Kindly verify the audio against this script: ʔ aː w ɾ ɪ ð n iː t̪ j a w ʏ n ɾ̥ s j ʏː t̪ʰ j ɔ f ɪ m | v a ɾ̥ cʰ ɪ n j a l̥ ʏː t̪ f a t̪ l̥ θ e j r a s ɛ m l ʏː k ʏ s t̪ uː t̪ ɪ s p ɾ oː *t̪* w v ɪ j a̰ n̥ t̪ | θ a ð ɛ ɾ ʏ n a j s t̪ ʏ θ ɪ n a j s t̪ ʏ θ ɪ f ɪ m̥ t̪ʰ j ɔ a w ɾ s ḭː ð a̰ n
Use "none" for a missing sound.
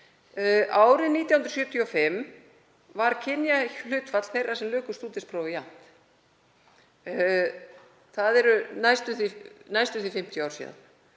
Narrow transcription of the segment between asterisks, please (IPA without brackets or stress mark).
none